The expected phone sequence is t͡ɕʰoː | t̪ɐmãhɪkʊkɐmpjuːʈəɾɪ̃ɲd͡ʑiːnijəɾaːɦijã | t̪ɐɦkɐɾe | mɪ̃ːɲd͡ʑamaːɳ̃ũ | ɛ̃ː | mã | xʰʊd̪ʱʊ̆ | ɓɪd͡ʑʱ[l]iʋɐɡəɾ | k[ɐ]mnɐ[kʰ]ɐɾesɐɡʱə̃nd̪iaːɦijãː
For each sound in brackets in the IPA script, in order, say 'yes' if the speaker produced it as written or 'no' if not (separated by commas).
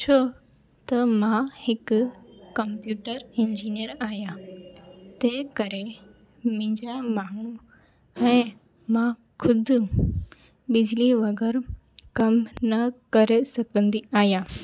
yes, yes, no